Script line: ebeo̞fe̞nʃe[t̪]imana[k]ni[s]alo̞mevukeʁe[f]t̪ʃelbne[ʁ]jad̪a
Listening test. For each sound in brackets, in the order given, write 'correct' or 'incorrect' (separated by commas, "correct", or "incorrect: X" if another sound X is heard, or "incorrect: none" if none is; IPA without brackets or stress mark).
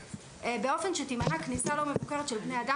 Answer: correct, correct, correct, incorrect: none, incorrect: none